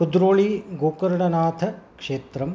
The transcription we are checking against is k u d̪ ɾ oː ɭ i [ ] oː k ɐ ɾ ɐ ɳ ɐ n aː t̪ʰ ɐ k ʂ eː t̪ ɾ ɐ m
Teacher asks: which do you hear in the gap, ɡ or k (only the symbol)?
ɡ